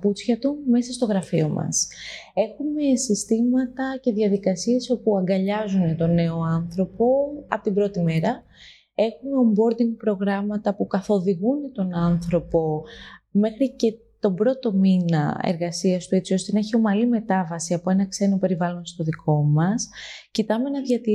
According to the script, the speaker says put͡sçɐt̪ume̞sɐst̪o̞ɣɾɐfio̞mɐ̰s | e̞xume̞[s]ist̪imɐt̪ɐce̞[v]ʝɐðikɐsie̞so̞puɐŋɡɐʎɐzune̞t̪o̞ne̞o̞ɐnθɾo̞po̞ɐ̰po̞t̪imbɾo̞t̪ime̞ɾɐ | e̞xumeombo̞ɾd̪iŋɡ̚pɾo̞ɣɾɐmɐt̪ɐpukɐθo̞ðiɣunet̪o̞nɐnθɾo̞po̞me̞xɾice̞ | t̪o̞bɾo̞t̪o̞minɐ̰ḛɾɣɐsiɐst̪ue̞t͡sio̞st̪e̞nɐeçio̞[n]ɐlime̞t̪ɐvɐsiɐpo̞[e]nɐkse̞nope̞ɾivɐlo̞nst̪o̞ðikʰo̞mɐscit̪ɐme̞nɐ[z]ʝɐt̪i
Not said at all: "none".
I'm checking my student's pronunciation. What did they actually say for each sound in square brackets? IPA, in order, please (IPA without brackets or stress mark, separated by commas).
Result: s, ð, m, e, ð